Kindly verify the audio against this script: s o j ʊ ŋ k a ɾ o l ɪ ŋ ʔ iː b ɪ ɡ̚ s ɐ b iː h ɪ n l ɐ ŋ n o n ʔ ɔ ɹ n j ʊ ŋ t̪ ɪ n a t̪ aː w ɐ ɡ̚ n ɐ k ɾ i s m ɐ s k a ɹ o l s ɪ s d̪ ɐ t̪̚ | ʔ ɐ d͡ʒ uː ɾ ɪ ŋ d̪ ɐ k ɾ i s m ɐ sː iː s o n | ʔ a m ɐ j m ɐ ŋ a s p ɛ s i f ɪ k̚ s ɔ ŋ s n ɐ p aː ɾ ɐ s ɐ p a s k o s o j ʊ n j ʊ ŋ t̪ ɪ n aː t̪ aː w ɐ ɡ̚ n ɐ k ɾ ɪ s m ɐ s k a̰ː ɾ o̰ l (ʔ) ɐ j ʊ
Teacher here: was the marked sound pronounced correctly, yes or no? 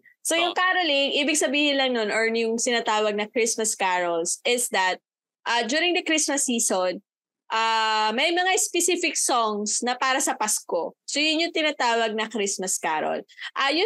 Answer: yes